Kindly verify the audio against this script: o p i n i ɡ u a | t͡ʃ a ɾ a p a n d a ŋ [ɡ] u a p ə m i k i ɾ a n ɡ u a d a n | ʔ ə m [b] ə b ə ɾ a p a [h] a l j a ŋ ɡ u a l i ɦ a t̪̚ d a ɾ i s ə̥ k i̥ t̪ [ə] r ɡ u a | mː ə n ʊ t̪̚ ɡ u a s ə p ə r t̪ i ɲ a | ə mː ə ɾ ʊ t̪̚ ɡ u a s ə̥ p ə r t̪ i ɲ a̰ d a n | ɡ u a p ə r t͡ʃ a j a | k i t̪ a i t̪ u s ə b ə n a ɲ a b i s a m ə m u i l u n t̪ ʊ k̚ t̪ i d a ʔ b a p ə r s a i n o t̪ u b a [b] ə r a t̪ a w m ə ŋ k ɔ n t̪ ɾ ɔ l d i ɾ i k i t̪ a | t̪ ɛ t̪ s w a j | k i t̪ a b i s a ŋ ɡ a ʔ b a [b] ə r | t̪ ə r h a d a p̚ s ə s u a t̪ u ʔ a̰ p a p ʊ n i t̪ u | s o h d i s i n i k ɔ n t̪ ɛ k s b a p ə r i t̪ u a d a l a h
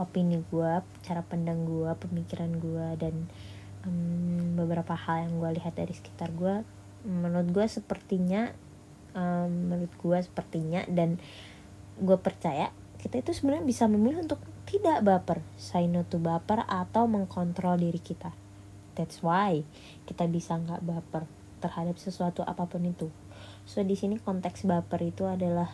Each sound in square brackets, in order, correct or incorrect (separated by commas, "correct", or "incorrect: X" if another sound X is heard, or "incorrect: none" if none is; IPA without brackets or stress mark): correct, correct, correct, incorrect: a, incorrect: p, incorrect: p